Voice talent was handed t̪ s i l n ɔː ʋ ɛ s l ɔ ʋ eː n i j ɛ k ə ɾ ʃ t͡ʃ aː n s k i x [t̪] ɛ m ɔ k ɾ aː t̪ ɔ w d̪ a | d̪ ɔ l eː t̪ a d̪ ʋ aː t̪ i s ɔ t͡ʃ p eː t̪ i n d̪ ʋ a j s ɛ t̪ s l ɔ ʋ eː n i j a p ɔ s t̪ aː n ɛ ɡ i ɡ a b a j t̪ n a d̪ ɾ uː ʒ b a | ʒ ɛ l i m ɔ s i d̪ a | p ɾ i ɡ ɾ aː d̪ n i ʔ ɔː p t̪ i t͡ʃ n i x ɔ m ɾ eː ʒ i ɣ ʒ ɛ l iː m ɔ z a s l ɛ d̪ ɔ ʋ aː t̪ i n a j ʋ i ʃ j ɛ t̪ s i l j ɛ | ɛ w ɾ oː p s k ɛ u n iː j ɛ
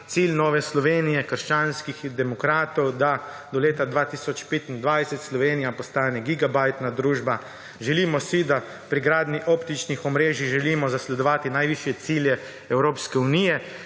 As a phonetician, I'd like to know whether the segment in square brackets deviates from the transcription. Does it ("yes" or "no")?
yes